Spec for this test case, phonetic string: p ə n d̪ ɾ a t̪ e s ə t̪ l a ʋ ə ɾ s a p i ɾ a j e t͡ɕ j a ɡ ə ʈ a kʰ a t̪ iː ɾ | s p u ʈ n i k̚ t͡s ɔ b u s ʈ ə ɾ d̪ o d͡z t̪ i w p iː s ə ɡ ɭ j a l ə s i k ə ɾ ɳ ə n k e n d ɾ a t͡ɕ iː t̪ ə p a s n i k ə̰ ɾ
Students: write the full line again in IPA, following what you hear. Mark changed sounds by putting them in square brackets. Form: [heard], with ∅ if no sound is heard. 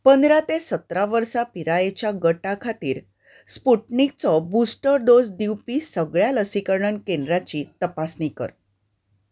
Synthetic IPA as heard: p ə n d̪ ɾ a t̪ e s ə t̪ [ɾ] a ʋ ə ɾ s a p i ɾ a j e t͡ɕ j a ɡ ə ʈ a kʰ a t̪ iː ɾ | s p u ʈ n i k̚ t͡s ɔ b u s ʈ ə ɾ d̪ o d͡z [d̪] i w p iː s ə ɡ ɭ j a l ə s i k ə ɾ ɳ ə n k e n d ɾ a t͡ɕ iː t̪ ə p a s n i k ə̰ ɾ

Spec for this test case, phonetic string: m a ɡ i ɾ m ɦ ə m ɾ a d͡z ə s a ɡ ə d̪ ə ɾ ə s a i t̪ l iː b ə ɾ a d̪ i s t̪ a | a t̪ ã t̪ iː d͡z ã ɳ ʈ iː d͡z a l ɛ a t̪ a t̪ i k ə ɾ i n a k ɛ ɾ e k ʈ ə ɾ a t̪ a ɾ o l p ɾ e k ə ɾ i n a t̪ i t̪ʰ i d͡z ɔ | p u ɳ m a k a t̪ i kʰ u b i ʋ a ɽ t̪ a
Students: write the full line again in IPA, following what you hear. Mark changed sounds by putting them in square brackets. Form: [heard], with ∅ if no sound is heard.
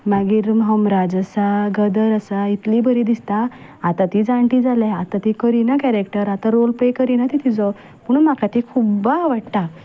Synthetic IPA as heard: m a ɡ i ɾ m ɦ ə m ɾ a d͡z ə s a ɡ ə d̪ ə ɾ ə s a i t̪ l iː b ə ɾ [i] d̪ i s t̪ a | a t̪ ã t̪ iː d͡z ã ɳ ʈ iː d͡z a l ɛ a t̪ a t̪ i k ə ɾ i n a k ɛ ɾ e k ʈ ə ɾ a t̪ a ɾ o l p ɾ e k ə ɾ i n a t̪ i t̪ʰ i d͡z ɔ | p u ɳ m a k a t̪ i kʰ u b [a] ʋ a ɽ t̪ a

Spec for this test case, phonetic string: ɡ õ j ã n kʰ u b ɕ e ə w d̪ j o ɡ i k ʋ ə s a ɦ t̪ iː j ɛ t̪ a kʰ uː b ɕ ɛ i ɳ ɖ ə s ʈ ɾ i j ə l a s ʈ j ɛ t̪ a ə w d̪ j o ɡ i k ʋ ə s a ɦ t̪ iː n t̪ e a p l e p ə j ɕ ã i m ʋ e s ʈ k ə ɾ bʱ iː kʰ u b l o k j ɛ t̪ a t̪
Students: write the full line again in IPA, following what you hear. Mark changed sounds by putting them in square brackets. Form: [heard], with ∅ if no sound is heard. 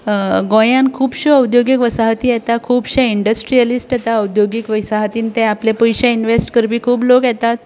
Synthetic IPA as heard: ɡ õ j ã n kʰ [uː] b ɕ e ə w d̪ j o ɡ i k ʋ ə s a ɦ t̪ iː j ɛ t̪ a kʰ uː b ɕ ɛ i ɳ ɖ ə s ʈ ɾ i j ə l [i] s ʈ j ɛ t̪ a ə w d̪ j o ɡ i k ʋ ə s a ɦ t̪ iː n t̪ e a p l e p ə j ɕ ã i [n] ʋ e s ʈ k ə ɾ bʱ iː kʰ [uː] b l o k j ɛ t̪ a t̪

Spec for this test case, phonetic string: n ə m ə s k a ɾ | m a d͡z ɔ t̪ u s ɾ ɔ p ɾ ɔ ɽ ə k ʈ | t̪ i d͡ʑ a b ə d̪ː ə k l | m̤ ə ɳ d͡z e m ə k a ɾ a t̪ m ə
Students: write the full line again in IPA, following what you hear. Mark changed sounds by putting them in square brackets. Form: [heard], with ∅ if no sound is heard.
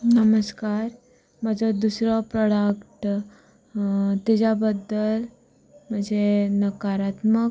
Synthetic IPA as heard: n ə m ə s k a ɾ | m a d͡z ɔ [d̪] u s ɾ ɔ p ɾ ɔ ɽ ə k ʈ | t̪ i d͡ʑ a b ə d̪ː ə [∅] l | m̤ ə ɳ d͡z e [n] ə k a ɾ a t̪ m ə

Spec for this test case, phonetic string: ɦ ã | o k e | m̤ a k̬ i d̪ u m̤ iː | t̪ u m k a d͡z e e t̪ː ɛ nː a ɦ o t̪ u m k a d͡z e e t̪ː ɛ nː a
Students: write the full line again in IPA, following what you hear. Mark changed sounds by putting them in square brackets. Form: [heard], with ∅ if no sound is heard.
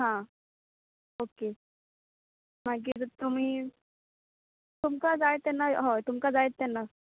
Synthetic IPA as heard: ɦ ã | o k e | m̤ a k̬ i [t̪] u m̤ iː | t̪ u m k a d͡z [a] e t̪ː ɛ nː a ɦ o t̪ u m k a d͡z [a] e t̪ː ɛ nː a

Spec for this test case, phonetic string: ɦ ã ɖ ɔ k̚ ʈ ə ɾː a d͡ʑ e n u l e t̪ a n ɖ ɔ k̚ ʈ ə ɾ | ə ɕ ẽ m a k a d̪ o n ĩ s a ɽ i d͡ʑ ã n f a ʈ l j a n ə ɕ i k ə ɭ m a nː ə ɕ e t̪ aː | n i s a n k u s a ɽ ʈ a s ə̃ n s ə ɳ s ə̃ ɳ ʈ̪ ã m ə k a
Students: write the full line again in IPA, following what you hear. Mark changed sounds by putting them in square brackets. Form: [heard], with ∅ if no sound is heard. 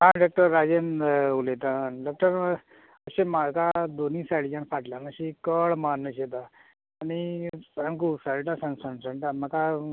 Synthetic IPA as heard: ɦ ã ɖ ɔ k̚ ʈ ə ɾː a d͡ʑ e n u l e t̪ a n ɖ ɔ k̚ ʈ ə ɾ | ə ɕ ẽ m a k a d̪ o n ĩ s a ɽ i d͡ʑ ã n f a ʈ l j a n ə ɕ i k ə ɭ m a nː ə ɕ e t̪ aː | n i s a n k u s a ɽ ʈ a s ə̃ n s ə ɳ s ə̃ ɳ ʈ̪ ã m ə k a

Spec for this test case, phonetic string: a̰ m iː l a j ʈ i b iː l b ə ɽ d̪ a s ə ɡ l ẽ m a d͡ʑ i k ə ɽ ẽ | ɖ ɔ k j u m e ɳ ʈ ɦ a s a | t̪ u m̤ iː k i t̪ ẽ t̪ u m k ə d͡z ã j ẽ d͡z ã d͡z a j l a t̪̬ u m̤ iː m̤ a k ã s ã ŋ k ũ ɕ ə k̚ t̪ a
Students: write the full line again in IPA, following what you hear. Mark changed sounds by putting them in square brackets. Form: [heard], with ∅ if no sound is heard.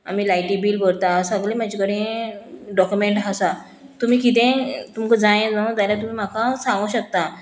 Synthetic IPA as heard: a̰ m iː l a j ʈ i b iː l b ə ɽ [t̪] a s ə ɡ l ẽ m a d͡ʑ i k ə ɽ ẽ | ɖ ɔ k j u m e ɳ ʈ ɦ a s a | t̪ u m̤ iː k i t̪ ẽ t̪ u m k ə d͡z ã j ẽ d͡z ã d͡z a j l a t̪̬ u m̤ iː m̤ a k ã s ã ŋ [ɡ] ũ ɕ ə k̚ t̪ a

